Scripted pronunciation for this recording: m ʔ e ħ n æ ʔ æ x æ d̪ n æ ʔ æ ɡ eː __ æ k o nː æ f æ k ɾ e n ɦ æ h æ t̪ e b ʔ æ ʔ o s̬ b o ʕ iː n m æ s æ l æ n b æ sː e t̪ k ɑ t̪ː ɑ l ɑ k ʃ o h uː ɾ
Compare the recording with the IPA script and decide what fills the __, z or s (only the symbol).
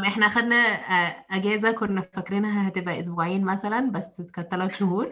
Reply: z